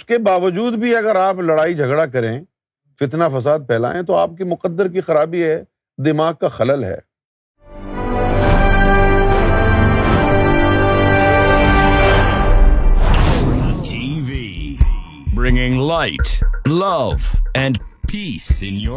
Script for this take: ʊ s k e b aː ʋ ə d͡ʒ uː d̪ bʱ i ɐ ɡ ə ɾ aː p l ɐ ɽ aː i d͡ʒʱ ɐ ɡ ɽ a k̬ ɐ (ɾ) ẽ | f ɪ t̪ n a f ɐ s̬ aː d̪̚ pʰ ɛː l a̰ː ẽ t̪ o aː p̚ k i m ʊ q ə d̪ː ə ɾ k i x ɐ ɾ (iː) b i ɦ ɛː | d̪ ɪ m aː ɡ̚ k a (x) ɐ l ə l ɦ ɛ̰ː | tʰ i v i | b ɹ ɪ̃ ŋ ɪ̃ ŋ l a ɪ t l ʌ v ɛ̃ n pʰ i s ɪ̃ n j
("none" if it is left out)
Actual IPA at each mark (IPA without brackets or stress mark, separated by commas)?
ɾ, aː, x